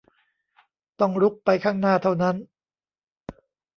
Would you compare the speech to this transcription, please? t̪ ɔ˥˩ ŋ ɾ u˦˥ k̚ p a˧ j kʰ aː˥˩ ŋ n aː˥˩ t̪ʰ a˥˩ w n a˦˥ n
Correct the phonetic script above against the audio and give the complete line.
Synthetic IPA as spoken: t̪ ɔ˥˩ ŋ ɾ u˦˥ k̚ p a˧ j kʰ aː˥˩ ŋ n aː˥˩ t̪ʰ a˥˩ w n a˦˥ n